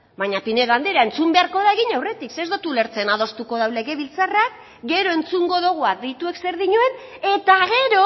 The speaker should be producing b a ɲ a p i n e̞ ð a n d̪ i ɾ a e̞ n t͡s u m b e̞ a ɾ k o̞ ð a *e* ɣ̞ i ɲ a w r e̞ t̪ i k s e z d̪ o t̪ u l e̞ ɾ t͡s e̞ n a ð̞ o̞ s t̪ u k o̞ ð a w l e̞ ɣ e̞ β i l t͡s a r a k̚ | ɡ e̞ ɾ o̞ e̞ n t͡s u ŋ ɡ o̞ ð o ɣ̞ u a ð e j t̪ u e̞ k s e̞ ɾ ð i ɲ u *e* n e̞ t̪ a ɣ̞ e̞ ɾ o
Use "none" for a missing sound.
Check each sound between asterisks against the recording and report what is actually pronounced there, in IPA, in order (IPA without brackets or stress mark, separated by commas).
e, e